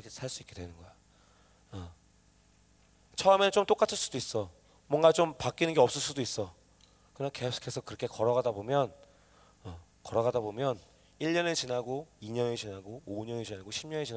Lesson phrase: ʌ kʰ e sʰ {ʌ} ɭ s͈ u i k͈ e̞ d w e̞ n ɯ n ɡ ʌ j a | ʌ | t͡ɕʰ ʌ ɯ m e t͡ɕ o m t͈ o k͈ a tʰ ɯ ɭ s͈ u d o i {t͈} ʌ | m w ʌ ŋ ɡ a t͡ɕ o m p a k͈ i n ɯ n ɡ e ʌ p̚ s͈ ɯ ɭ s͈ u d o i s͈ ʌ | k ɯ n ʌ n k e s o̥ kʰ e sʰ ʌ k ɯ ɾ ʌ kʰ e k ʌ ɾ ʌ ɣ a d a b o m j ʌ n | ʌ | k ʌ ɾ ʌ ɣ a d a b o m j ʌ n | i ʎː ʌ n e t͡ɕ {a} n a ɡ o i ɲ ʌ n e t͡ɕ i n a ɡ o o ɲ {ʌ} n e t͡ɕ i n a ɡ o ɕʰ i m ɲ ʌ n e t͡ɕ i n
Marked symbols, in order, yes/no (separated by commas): no, no, no, yes